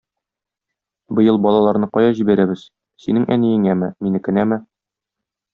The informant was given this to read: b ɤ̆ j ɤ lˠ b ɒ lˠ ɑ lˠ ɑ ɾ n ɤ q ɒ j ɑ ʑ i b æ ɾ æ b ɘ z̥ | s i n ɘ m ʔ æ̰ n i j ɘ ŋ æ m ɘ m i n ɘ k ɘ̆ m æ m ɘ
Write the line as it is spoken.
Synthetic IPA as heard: b ɤ̆ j ɤ lˠ b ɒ lˠ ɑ lˠ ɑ ɾ n ɤ q ɒ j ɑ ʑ i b æ ɾ æ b ɘ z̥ | s i n ɘ ŋ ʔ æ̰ n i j ɘ ŋ æ m ɘ m i n ɘ k ɘ̆ n æ m ɘ